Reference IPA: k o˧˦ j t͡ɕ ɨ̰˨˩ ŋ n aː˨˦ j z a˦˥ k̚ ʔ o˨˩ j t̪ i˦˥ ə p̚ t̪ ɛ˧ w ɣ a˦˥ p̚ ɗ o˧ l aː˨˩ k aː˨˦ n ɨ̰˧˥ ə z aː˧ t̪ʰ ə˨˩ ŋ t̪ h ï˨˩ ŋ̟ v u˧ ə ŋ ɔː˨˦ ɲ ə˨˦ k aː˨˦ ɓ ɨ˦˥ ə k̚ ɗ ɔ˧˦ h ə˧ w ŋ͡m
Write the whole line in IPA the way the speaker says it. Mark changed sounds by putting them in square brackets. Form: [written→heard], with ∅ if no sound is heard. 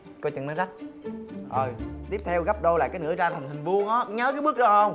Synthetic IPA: k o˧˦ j t͡ɕ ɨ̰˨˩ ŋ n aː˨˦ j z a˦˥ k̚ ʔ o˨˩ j t̪ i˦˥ ə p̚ [t̪→t̪ʰ] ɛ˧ w ɣ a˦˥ p̚ ɗ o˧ l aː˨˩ k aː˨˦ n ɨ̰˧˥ ə z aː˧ t̪ʰ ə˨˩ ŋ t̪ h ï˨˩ ŋ̟ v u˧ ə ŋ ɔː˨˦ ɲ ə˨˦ k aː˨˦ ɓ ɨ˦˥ ə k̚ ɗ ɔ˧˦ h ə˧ w ŋ͡m